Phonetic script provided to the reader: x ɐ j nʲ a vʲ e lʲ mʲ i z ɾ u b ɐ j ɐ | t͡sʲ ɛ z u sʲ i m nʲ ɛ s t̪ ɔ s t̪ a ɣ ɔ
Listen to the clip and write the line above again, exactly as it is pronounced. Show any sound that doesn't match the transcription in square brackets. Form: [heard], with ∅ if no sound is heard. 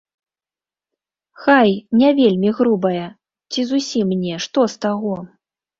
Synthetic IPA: x [a] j nʲ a vʲ e lʲ mʲ i [ɣ] ɾ u b ɐ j ɐ | t͡sʲ [i] z u sʲ i m nʲ ɛ [ʂ] t̪ ɔ s t̪ a ɣ ɔ